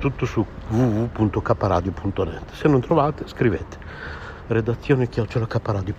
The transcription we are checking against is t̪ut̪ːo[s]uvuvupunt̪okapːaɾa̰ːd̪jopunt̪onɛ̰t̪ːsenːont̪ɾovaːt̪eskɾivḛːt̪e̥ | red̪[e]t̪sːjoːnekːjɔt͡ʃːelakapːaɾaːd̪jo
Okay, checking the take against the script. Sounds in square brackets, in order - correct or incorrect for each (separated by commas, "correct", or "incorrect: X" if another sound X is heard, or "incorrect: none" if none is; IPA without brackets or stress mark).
correct, incorrect: a